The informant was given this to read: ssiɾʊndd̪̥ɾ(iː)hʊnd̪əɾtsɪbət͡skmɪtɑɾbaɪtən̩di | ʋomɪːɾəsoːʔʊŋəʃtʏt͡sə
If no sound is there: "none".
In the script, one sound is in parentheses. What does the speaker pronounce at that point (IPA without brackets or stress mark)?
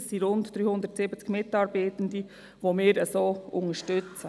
yː